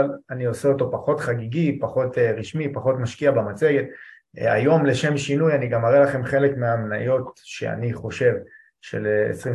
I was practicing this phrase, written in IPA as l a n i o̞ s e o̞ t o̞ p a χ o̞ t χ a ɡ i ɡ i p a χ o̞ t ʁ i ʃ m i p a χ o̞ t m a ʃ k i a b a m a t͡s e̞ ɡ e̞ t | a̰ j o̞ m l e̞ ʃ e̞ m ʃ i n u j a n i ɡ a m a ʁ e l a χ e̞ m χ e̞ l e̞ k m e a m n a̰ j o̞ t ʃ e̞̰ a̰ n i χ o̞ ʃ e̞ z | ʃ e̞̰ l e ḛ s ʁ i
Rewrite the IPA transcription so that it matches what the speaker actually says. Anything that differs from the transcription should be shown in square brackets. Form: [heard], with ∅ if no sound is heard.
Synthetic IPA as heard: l a n i o̞ s e o̞ t o̞ p a χ o̞ t χ a ɡ i ɡ i p a χ o̞ t ʁ i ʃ m i p a χ o̞ t m a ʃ k i a b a m a t͡s e̞ ɡ e̞ t | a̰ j o̞ m l e̞ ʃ e̞ m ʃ i n u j a n i ɡ a m a ʁ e l a χ e̞ m χ e̞ l e̞ k m e a m n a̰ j o̞ t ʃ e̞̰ a̰ n i χ o̞ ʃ e̞ [v] | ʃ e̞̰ l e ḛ s ʁ i